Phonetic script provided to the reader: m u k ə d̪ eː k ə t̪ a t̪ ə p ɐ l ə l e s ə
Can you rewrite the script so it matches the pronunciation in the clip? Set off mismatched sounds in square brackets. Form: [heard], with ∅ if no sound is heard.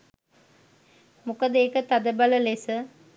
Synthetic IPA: m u k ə d̪ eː k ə t̪ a [d̪] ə [b] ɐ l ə l e s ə